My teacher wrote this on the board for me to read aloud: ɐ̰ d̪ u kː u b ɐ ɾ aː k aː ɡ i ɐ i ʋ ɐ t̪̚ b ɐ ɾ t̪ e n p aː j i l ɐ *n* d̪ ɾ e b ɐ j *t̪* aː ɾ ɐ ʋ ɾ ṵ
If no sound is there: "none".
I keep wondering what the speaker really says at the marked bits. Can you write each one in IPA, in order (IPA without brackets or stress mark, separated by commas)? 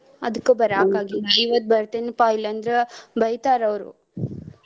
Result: n, t̪